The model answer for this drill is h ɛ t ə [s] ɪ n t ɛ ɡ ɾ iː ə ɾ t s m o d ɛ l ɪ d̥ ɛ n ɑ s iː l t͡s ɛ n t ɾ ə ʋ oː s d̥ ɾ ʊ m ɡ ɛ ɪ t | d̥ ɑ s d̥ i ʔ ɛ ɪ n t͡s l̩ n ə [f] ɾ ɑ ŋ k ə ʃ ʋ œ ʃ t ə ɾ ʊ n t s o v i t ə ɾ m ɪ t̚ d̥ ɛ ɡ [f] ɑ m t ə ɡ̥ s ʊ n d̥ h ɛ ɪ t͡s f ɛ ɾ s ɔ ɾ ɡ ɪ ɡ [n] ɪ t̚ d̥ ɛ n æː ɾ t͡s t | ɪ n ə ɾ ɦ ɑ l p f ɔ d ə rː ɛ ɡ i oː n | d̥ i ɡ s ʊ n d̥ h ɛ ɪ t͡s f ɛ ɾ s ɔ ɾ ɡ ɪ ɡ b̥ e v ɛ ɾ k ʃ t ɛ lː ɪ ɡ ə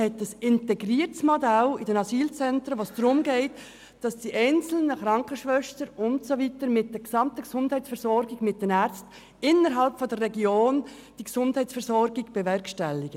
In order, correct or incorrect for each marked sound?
correct, incorrect, incorrect, incorrect

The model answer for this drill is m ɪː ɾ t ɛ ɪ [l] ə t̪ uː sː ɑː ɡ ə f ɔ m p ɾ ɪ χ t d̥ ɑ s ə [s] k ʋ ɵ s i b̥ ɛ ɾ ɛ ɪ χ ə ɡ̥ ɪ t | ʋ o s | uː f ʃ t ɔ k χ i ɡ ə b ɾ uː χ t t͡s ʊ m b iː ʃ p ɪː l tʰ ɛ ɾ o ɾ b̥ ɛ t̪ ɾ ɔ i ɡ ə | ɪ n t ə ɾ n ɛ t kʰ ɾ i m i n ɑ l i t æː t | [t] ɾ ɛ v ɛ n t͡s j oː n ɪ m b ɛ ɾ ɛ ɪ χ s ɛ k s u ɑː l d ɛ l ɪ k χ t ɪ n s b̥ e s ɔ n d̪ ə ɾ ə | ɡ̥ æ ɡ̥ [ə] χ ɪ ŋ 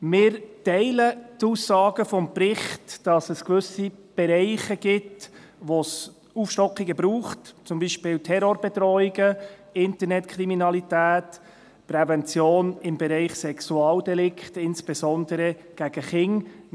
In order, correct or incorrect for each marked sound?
correct, correct, incorrect, correct

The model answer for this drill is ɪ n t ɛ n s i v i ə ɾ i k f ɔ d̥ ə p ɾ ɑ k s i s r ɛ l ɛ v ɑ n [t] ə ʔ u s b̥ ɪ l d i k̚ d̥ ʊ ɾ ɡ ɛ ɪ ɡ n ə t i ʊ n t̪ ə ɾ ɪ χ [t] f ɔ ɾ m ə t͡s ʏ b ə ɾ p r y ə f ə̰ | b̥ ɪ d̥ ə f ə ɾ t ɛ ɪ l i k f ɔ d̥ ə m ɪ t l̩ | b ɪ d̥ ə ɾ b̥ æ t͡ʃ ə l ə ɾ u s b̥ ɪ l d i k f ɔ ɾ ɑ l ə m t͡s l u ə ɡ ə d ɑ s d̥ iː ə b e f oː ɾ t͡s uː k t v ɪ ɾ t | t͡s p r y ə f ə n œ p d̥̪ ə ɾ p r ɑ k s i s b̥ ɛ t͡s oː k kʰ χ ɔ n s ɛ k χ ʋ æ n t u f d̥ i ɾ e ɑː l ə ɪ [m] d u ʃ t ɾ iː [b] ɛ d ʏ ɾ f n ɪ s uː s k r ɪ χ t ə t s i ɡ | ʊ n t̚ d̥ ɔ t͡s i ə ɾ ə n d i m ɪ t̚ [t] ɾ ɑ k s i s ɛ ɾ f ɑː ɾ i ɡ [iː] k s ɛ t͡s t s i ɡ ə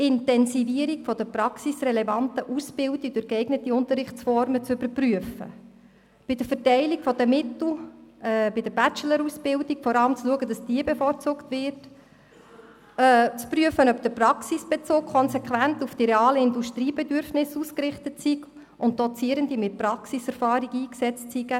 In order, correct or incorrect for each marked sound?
correct, incorrect, incorrect, correct, incorrect, correct

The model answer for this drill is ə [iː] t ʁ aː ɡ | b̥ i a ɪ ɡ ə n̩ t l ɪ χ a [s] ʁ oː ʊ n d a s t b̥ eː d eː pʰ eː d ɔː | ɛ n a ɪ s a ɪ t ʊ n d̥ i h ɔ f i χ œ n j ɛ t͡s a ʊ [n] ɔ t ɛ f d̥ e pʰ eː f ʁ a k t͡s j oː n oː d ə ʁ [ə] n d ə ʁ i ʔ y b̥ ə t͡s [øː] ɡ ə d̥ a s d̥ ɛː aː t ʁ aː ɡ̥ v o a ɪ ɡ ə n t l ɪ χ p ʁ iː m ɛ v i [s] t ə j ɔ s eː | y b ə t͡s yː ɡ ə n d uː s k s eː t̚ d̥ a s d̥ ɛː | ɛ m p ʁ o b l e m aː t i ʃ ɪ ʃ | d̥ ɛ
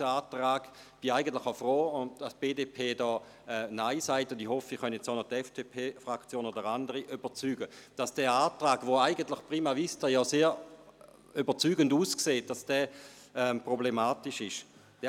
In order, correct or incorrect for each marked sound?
incorrect, incorrect, correct, incorrect, incorrect, correct

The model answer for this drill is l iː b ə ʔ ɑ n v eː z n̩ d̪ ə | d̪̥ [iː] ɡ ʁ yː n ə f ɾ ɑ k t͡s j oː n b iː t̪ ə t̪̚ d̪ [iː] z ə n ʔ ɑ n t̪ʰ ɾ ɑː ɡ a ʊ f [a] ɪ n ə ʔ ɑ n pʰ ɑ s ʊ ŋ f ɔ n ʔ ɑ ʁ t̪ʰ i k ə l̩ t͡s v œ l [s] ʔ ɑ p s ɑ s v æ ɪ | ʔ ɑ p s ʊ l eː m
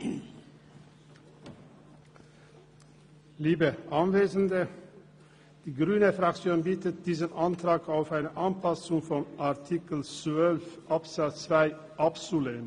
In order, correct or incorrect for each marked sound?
correct, correct, incorrect, incorrect

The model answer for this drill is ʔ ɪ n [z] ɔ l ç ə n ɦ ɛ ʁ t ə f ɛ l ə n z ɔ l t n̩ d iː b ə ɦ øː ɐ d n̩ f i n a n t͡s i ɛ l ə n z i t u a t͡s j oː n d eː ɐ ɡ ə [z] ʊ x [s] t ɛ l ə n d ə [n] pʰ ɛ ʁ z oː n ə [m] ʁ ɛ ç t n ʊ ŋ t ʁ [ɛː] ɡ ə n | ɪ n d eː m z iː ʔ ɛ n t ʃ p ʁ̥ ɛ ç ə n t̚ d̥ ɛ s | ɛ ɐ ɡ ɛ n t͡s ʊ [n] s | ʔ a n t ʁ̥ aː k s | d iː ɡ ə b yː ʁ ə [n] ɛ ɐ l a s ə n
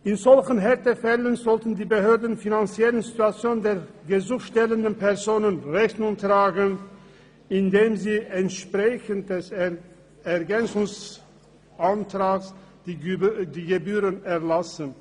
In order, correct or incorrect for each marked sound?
correct, correct, incorrect, correct, incorrect, incorrect, incorrect, correct

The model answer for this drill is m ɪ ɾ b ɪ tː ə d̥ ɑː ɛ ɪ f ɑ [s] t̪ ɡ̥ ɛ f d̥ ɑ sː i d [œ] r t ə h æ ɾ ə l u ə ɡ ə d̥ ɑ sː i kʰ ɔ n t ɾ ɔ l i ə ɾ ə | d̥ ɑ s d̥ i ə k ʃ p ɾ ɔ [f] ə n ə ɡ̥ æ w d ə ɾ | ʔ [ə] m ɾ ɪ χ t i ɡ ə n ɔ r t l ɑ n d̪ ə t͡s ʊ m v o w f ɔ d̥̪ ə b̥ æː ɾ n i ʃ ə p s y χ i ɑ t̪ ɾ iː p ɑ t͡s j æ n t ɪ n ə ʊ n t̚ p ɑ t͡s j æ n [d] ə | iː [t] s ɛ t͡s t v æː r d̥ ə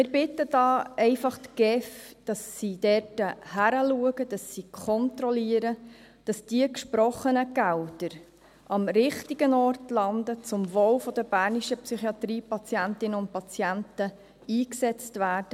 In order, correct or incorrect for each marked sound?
incorrect, incorrect, incorrect, incorrect, incorrect, incorrect

